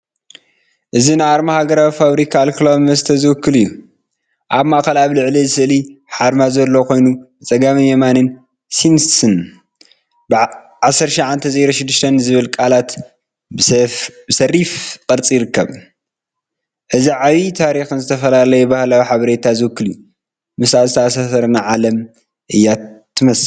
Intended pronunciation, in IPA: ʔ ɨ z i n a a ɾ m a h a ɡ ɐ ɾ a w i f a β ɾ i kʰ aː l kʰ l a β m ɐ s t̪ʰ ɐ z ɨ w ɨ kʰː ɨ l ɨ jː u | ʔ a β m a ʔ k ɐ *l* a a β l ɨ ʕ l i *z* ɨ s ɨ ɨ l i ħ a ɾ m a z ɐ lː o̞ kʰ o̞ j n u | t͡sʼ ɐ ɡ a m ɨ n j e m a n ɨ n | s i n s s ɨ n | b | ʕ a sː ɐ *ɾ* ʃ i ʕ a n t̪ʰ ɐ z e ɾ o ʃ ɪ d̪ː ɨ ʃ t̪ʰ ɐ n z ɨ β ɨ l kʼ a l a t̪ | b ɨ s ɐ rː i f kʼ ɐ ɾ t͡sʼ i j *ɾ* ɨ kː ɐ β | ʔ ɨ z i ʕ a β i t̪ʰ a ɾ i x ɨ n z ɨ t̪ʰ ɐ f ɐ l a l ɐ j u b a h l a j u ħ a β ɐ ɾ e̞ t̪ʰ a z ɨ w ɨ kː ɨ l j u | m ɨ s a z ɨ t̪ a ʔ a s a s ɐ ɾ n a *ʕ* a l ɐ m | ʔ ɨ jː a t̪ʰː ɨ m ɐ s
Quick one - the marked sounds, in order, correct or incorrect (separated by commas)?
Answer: correct, correct, correct, correct, correct